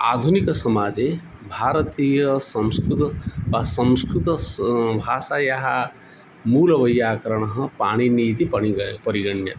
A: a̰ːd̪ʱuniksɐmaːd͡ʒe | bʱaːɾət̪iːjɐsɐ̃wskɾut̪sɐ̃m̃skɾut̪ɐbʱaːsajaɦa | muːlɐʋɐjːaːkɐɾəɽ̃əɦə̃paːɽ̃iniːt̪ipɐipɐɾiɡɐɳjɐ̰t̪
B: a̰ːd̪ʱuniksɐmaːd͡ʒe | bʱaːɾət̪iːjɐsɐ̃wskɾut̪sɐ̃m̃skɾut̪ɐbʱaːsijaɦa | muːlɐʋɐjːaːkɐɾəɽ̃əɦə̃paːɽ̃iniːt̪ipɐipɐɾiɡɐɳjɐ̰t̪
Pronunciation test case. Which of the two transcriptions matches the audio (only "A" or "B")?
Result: A